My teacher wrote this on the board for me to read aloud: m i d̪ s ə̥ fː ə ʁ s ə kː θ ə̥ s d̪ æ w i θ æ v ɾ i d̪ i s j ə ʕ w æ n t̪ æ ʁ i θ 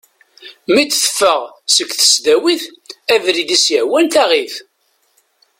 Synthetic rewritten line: m i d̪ θ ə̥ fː ə ʁ s ə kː θ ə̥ s d̪ æ w i θ æ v ɾ i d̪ i s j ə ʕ w æ n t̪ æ ʁ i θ